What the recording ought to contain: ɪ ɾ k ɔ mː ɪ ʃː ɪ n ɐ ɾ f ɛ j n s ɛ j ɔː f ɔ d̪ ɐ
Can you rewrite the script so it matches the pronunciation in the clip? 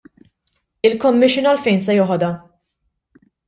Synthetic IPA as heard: ɪ l k ɔ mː ɪ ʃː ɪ n ɐ l f ɛ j n s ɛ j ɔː ħ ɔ d̪ ɐ